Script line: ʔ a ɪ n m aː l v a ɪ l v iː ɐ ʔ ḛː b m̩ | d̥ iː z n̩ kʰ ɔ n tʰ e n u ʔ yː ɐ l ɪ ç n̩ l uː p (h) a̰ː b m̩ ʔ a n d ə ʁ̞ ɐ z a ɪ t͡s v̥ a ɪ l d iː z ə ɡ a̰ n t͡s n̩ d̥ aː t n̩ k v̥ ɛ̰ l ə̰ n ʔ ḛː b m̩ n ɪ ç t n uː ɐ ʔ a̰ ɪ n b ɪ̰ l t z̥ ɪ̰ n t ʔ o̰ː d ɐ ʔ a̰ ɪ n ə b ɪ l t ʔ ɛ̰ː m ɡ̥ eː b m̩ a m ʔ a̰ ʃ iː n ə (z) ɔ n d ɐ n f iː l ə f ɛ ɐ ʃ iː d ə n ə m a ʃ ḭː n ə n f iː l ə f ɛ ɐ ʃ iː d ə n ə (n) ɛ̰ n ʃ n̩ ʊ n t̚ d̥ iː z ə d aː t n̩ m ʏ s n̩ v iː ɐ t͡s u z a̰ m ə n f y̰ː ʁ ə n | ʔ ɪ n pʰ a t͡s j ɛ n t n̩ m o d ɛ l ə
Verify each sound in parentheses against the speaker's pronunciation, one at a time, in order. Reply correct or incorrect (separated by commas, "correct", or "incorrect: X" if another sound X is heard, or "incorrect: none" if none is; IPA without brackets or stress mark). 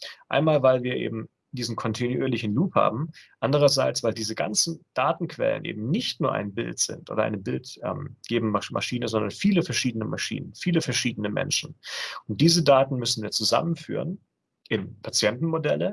correct, correct, incorrect: m